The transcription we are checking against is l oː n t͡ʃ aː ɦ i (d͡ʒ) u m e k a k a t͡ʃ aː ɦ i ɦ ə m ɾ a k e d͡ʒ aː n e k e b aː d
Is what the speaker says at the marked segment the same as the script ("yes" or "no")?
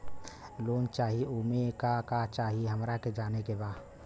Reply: no